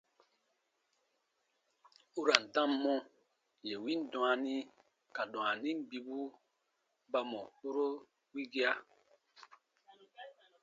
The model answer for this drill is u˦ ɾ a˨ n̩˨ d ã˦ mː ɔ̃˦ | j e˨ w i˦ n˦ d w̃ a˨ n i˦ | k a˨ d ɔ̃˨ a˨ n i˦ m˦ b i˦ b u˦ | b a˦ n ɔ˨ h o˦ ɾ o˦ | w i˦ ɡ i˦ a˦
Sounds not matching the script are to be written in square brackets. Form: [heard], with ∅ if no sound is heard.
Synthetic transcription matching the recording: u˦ ɾ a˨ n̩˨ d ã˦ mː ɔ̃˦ | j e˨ w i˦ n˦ d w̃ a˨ n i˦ | k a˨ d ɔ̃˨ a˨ n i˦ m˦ b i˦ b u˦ | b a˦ [m] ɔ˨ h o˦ ɾ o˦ | w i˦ ɡ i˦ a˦

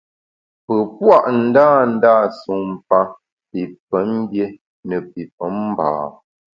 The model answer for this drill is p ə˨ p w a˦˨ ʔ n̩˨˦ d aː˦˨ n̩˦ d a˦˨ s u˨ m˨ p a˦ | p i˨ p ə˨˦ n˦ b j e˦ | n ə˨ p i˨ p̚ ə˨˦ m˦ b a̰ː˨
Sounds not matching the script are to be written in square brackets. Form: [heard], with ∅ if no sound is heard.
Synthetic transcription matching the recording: p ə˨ p w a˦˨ ʔ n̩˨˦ d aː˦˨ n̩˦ d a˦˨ s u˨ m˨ p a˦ | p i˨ p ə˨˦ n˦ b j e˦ | n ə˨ p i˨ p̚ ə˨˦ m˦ b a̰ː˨

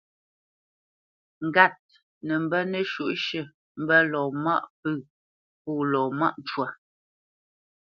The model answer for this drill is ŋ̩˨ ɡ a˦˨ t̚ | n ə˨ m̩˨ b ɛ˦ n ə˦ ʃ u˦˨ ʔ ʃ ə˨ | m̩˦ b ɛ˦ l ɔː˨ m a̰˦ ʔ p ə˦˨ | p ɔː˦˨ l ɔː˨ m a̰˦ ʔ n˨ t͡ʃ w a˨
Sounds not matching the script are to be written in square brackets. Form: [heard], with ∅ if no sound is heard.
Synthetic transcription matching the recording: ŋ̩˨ ɡ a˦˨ t̚ | n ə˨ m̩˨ b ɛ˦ n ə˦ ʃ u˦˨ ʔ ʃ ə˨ | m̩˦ b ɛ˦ l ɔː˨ m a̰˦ ʔ p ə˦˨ | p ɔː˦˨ l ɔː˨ m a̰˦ ʔ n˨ t͡ʃ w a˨

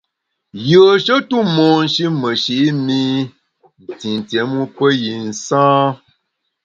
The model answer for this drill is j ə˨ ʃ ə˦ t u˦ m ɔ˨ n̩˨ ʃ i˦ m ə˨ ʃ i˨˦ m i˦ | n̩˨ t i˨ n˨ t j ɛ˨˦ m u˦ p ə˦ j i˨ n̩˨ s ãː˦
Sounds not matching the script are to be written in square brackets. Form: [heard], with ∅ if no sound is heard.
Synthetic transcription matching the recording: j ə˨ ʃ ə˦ t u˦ m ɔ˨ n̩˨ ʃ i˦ m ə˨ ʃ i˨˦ m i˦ | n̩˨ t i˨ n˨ t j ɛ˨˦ m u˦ p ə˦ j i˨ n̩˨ s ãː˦

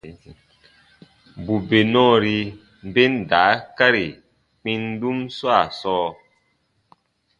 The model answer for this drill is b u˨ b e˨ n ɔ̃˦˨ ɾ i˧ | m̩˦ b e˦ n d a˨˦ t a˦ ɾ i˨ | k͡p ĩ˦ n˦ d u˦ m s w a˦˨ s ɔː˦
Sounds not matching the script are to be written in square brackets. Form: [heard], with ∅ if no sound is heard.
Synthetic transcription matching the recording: b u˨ b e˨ n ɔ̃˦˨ ɾ i˧ | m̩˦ b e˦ n d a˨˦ [k] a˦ ɾ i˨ | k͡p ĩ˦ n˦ d u˦ m s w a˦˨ s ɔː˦

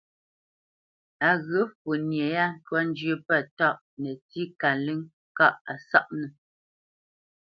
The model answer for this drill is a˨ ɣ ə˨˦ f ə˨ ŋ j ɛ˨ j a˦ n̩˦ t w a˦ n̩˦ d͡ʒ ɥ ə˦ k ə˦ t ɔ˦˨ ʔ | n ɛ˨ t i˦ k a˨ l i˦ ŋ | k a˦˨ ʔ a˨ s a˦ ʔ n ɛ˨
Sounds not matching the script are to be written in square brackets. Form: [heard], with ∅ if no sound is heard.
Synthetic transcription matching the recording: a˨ ɣ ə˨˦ f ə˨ [n] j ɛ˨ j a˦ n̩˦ t w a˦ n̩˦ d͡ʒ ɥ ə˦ [p] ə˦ t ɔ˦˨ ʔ | n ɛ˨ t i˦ k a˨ l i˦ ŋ | k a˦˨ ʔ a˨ s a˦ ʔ n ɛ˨

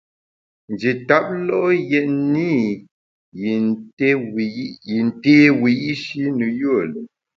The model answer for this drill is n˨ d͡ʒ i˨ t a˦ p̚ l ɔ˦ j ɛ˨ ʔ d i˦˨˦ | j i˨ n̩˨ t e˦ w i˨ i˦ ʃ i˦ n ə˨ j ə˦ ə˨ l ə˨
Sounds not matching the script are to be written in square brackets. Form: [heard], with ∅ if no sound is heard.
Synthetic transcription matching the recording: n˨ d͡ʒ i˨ t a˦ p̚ l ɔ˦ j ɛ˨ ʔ [n] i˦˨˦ | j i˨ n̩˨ t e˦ w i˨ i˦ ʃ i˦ n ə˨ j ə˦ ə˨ l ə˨

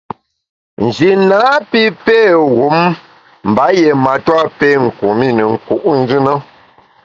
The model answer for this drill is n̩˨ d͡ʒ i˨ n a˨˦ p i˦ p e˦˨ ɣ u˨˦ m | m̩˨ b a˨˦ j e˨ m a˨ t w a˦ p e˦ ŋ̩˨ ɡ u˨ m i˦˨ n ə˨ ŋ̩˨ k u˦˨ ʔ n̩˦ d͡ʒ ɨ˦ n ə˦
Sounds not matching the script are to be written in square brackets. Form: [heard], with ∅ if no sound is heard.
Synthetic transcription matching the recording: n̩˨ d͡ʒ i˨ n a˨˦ p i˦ p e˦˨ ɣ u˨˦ m | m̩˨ b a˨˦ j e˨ m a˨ t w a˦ p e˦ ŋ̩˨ [k] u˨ m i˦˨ n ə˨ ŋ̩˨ k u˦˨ ʔ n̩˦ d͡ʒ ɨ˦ n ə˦

